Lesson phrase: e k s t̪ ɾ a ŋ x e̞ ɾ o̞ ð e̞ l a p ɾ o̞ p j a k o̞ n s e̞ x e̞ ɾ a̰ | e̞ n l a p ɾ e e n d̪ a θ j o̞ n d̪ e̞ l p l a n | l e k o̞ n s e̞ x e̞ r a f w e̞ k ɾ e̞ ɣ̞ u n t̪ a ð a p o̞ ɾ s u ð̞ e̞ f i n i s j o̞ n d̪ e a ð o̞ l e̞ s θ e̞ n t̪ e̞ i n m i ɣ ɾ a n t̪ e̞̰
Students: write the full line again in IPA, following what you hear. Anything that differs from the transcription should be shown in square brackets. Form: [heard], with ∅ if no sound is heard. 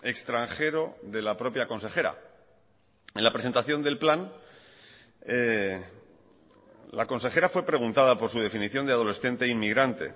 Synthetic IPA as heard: e k s t̪ ɾ a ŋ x e̞ ɾ o̞ ð e̞ l a p ɾ o̞ p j a k o̞ n s e̞ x e̞ ɾ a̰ | e̞ n l a p ɾ e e n [t̪] a θ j o̞ n d̪ e̞ l p l a n | l [a] k o̞ n s e̞ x e̞ [ɾ] a f w e̞ [p] ɾ e̞ ɣ̞ u n t̪ a ð a p o̞ ɾ s u ð̞ e̞ f i n i [θ] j o̞ n d̪ e a ð o̞ l e̞ s θ e̞ n t̪ e̞ i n m i ɣ ɾ a n t̪ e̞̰